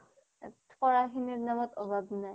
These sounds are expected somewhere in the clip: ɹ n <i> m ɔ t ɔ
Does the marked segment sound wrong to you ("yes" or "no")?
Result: yes